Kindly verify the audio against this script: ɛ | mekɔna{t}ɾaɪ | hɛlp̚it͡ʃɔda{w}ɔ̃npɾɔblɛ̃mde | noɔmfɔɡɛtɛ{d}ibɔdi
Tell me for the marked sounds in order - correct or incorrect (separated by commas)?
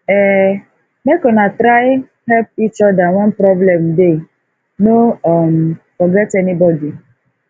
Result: correct, correct, incorrect